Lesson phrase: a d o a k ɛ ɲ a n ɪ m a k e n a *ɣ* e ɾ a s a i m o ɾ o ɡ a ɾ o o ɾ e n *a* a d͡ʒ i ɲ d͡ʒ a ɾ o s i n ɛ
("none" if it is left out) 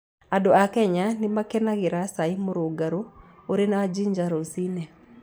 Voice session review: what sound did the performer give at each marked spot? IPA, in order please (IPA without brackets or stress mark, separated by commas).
ɣ, a